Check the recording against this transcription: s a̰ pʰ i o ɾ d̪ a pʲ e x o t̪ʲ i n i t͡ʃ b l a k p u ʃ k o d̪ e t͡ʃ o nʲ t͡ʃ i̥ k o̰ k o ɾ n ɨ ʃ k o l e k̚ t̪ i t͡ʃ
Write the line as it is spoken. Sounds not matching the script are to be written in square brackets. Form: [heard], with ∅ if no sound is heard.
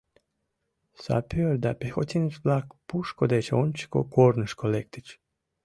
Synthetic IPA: s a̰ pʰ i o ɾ d̪ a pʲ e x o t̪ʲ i n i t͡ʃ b l a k p u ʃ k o d̪ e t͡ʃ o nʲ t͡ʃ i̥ k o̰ k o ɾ n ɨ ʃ k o l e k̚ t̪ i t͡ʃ